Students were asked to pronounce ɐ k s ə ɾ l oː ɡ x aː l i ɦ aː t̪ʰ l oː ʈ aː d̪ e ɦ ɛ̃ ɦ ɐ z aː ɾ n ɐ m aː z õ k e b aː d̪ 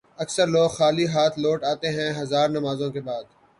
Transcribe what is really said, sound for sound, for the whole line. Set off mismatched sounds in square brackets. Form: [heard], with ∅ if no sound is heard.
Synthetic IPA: ɐ k s ə ɾ l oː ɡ x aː l i ɦ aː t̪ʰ l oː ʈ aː [t̪] e ɦ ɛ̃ ɦ ɐ z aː ɾ n ɐ m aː z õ k e b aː d̪